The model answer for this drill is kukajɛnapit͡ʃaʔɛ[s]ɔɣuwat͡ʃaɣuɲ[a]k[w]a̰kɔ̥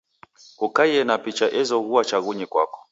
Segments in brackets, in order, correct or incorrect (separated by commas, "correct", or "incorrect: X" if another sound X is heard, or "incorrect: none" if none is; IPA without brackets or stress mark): incorrect: z, incorrect: ɛ, correct